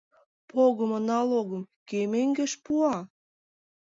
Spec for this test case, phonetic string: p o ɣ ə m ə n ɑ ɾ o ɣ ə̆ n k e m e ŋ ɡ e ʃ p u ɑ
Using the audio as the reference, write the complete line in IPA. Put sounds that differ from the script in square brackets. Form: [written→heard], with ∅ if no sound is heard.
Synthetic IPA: p o ɣ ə m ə n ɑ [ɾ→l] o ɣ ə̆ [n→m] k e m e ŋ ɡ e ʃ p u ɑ